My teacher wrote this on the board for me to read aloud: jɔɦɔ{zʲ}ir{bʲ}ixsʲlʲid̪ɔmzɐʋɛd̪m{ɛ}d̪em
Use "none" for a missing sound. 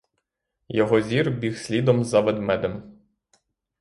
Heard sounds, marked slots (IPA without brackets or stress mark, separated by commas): zʲ, bʲ, ɛ